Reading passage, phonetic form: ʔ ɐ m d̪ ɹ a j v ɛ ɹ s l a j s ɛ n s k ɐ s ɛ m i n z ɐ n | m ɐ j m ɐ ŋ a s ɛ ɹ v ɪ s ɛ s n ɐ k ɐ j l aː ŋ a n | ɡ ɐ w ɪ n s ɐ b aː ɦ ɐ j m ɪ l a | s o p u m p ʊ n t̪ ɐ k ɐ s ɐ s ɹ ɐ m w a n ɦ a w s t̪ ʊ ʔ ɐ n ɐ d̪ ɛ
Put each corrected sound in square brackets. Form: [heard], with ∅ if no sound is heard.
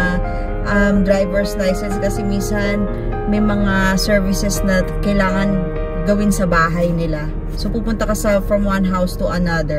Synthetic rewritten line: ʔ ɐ m d̪ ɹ a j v ɛ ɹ s l a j s ɛ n s k ɐ s ɛ m i n [s] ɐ n | m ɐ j m ɐ ŋ a s ɛ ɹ v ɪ s ɛ s n ɐ k ɐ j l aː ŋ [ɐ] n | ɡ ɐ w ɪ n s ɐ b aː ɦ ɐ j [n] ɪ l a | s o p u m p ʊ n t̪ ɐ k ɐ s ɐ [f] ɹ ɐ m w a n ɦ a w s t̪ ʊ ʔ ɐ n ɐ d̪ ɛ